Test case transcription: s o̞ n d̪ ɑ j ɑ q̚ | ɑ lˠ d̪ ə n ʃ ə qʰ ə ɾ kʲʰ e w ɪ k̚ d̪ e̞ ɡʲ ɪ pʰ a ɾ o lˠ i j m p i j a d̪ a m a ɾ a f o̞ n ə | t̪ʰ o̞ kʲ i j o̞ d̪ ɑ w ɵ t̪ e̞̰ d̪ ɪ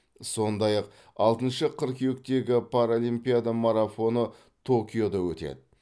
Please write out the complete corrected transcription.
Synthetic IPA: s o̞ n d̪ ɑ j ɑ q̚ | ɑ lˠ t̪ ə n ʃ ə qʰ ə ɾ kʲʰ e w ɪ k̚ t̪ e̞ ɡʲ ɪ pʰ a ɾ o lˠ i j m p i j a d̪ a m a ɾ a f o̞ n ə | t̪ʰ o̞ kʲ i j o̞ d̪ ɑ w ɵ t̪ e̞̰ d̪ ɪ

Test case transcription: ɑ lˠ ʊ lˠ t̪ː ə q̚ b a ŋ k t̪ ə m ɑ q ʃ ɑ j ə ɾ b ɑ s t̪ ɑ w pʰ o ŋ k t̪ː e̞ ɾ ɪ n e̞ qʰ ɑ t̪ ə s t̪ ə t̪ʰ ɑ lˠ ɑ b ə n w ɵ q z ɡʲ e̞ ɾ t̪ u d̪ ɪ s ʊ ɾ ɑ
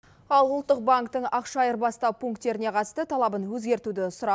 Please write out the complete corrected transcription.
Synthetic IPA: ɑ lˠ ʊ lˠ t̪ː ə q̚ b a ŋ k t̪ ə ɴ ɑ q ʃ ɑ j ə ɾ b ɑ s t̪ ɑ w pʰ u ŋ k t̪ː e̞ ɾ ɪ n e̞ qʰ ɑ t̪ ə s t̪ ə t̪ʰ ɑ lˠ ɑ b ə n w ɵ z ɡʲ e̞ ɾ t̪ u d̪ ɪ s ʊ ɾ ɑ

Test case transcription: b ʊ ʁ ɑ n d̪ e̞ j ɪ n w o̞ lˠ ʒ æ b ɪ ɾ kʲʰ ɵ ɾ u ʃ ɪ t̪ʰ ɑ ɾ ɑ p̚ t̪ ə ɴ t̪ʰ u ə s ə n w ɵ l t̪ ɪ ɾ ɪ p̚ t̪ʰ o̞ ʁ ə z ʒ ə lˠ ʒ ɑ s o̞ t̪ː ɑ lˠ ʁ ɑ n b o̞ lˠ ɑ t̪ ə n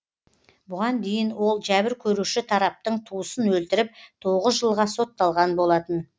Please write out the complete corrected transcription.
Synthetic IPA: b ʊ ʁ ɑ n d̪ e̞ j ɪ n w o̞ lˠ ʒ æ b ɪ ɾ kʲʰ ɵ ɾ u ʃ ɪ t̪ʰ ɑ ɾ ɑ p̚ t̪ ə ɴ t̪ʰ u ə s ə n w ɵ l t̪ ɪ ɾ ɪ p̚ t̪ʰ o̞ ʁ ə z ʒ ə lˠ ʁ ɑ s o̞ t̪ː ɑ lˠ ʁ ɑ n b o̞ lˠ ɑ t̪ ə n

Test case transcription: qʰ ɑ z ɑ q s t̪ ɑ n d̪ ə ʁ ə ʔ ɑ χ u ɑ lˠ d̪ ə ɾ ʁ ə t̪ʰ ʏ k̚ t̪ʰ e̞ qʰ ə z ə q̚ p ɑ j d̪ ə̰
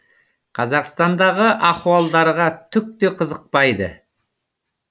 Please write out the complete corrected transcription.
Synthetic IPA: qʰ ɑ z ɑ q s t̪ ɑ n d̪ ɑ ʁ ə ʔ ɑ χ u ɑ lˠ d̪ ɑ ɾ ʁ ɑ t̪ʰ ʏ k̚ t̪ e̞ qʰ ə z ə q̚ p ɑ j d̪ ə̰

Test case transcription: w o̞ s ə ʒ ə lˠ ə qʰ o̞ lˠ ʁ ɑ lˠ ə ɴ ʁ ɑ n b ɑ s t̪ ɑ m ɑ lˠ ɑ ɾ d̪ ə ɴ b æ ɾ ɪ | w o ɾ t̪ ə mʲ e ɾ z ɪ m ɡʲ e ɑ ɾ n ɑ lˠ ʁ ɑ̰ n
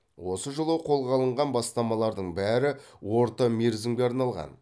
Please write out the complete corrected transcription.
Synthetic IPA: w o̞ s ə ʒ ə lˠ ə qʰ o̞ lˠ ʁ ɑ lˠ ə ɴ ʁ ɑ n b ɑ s t̪ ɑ m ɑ lˠ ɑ ɾ d̪ ə ɴ b æ ɾ ɪ | w o ɾ t̪ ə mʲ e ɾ z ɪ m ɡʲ e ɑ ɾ n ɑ lˠ ʁ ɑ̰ n

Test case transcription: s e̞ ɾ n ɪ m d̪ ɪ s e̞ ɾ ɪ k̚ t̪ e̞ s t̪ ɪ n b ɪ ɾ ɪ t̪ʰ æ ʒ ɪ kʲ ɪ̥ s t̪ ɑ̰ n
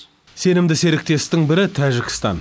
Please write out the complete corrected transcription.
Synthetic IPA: s e̞ n ɪ m d̪ ɪ s e̞ ɾ ɪ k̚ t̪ e̞ s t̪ ɪ ŋ b ɪ ɾ ɪ t̪ʰ æ ʒ ɪ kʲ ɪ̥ s t̪ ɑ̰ n

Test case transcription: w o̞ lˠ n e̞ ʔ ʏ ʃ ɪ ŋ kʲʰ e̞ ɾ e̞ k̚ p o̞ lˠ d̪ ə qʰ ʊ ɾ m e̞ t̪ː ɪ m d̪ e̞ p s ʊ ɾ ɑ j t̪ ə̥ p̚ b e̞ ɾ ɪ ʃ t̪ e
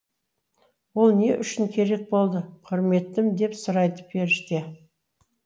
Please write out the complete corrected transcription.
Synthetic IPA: w o̞ lˠ n e̞ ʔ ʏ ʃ ɪ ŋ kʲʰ e̞ ɾ e̞ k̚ b o̞ lˠ d̪ ə qʰ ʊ ɾ m e̞ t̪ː ɪ m d̪ e̞ p s ʊ ɾ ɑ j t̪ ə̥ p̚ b e̞ ɾ ɪ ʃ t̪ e

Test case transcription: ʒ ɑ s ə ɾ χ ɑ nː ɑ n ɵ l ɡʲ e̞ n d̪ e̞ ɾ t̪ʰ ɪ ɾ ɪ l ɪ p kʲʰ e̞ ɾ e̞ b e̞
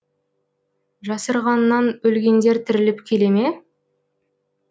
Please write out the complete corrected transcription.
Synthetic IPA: ʒ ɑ s ə ɾ ʁ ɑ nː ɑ n ɵ l ɡʲ e̞ n d̪ e̞ ɾ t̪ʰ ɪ ɾ ɪ l ɪ p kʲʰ e̞ l e̞ m e̞

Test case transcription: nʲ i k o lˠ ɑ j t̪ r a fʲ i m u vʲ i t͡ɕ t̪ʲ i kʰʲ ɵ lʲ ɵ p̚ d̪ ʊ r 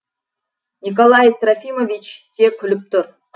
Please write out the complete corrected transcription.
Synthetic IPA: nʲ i k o lˠ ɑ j t̪ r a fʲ i m o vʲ i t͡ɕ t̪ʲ e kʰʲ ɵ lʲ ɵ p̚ t̪ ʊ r

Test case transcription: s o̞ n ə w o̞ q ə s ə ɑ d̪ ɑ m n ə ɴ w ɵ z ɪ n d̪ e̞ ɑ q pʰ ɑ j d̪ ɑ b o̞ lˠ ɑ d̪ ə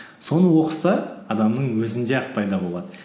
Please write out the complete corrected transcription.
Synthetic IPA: s o̞ n ə w o̞ q ə s ɑ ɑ d̪ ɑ m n ə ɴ w ɵ z ɪ n d̪ e̞ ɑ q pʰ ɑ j d̪ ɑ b o̞ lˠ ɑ d̪ ə

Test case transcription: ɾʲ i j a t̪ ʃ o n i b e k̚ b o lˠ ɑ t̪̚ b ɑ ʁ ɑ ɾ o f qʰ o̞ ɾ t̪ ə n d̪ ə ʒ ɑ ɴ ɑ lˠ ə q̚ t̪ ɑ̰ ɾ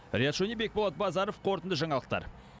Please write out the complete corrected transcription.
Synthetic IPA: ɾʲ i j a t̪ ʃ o n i b e k̚ b o lˠ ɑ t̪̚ b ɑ z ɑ ɾ o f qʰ o̞ ɾ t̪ ə n d̪ ə ʒ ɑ ɴ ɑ lˠ ə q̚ t̪ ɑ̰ ɾ

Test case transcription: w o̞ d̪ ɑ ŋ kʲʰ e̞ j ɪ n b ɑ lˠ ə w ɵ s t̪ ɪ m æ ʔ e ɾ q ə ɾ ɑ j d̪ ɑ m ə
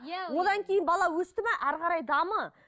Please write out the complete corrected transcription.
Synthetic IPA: w o̞ d̪ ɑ ŋ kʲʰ e̞ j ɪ n b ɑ lˠ ɑ w ɵ s t̪ ɪ m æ ʔ æ ɾ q ɑ ɾ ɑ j d̪ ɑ m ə

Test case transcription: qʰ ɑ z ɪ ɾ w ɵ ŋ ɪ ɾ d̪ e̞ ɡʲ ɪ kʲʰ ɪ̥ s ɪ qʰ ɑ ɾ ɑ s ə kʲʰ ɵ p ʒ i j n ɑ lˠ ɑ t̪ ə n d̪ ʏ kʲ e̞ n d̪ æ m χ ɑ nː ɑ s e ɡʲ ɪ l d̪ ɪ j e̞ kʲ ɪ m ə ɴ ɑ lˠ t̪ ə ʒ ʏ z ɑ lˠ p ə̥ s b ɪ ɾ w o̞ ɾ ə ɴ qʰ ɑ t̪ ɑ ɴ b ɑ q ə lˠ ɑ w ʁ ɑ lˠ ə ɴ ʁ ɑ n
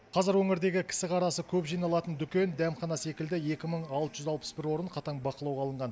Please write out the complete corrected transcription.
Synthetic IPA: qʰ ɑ z ɪ ɾ w ɵ ŋ ɪ ɾ d̪ e̞ ɡʲ ɪ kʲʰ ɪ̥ s ɪ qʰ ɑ ɾ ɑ s ə kʲʰ ɵ p ʒ i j n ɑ lˠ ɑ t̪ ə n d̪ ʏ kʲ e̞ n d̪ æ m χ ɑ n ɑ s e kʲ ɪ l d̪ ɪ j e̞ kʲ ɪ m ə ɴ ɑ lˠ t̪ ə ʒ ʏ z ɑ lˠ p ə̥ s b ɪ ɾ w o̞ ɾ ə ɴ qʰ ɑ t̪ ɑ ɴ b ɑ q ə lˠ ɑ w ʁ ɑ lˠ ə ɴ ʁ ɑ n

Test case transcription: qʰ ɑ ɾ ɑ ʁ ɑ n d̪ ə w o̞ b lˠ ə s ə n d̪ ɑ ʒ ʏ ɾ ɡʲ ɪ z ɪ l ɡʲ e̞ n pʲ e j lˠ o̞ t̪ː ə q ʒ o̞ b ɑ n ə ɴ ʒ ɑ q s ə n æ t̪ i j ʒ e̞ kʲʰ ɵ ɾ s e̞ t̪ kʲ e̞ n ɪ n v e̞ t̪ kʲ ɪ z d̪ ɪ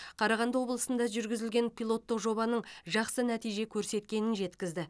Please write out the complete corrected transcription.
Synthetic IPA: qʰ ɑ ɾ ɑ ʁ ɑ n d̪ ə w o̞ b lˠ ə s ə n d̪ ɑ ʒ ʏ ɾ ɡʲ ɪ z ɪ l ɡʲ e̞ n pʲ i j lˠ o̞ t̪ː ə q ʒ o̞ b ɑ n ə ɴ ʒ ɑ q s ə n æ t̪ i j ʒ e̞ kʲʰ ɵ ɾ s e̞ t̪ kʲ e̞ n ɪ n ʒ e̞ t̪ kʲ ɪ z d̪ ɪ

